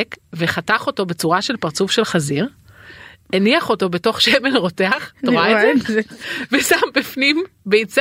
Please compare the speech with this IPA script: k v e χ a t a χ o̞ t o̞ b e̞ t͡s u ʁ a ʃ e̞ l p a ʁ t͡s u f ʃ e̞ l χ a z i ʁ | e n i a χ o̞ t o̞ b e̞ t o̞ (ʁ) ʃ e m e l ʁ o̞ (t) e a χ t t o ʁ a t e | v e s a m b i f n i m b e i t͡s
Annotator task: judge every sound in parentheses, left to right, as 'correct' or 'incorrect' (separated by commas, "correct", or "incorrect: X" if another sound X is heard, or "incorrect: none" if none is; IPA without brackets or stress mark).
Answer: incorrect: χ, correct